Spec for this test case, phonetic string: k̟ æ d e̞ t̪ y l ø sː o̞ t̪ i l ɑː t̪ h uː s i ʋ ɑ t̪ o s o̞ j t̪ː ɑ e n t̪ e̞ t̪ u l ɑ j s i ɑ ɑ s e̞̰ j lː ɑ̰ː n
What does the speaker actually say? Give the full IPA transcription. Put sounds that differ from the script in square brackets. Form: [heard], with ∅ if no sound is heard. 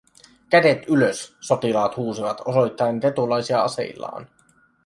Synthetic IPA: k̟ æ d e̞ t̪ y l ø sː o̞ t̪ i l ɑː t̪ h uː s i ʋ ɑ t̪ o s o̞ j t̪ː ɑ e n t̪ e̞ t̪ u l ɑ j s i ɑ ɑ s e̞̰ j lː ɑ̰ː n